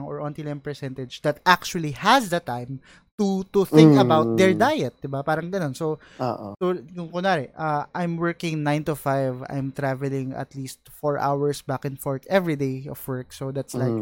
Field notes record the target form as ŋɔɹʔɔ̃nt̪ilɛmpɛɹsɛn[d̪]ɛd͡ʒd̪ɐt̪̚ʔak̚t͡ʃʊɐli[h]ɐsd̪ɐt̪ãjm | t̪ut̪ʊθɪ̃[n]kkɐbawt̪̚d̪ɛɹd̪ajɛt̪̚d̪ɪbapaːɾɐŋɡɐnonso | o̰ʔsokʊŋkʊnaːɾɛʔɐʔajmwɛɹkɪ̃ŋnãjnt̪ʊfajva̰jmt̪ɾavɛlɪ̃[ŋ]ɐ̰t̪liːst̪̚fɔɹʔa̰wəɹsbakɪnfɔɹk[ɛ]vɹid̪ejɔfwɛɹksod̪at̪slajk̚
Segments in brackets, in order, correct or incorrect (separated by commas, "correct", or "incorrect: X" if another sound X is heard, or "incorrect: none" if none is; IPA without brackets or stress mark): incorrect: t̪, correct, incorrect: ŋ, correct, correct